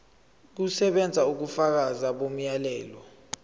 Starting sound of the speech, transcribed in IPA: k̬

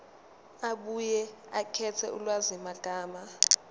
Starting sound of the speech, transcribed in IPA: a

